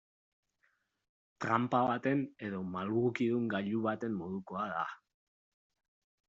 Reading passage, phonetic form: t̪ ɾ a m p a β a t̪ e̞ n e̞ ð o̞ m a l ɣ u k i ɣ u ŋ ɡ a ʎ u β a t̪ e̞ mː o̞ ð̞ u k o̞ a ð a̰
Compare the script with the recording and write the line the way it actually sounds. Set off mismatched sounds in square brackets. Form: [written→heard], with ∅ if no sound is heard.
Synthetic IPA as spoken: t̪ ɾ a m p a β a t̪ e̞ n e̞ ð o̞ m a l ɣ u k i [ɣ→ð] u ŋ ɡ a ʎ u β a t̪ e̞ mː o̞ ð̞ u k o̞ a ð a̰